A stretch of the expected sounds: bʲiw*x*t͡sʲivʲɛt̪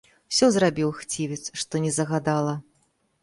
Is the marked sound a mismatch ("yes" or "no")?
no